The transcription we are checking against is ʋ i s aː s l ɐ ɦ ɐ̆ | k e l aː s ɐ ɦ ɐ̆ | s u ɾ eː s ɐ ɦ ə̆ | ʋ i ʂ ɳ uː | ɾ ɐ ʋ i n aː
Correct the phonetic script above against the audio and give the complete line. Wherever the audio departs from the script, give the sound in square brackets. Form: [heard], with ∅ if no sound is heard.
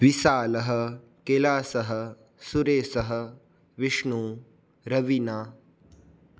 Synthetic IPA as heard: ʋ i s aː [∅] l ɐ ɦ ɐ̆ | k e l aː s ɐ ɦ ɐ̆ | s u ɾ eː s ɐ ɦ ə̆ | ʋ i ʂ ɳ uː | ɾ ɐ ʋ i n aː